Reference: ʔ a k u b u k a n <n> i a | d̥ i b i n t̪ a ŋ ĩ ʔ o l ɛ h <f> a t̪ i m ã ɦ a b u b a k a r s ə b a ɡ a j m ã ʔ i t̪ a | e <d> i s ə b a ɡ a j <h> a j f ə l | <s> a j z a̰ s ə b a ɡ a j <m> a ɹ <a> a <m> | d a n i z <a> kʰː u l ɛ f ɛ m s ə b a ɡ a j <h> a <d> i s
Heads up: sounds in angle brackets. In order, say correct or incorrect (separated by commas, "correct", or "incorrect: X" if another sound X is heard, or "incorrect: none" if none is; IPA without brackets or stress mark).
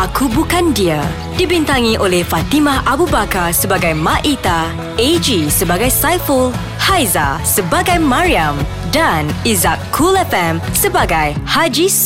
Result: incorrect: d, correct, incorrect: d͡ʒ, incorrect: s, incorrect: h, correct, incorrect: i, correct, correct, correct, incorrect: d͡ʒ